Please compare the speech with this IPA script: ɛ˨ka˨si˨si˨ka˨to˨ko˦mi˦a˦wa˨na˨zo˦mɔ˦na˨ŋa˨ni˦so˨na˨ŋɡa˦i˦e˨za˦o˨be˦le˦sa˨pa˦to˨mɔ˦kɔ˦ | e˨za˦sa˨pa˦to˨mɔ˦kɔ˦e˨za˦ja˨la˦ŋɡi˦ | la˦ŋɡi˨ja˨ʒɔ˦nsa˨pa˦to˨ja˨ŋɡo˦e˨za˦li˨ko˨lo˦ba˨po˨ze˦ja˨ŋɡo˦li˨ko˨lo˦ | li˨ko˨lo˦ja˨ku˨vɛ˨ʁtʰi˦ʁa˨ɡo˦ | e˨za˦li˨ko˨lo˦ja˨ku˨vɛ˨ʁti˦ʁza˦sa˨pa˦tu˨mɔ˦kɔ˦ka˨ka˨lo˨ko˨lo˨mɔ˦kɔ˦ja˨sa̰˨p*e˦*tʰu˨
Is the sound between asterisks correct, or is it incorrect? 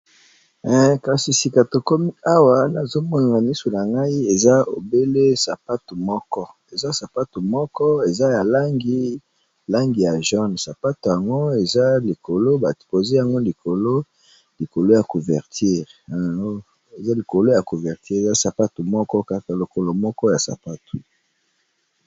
incorrect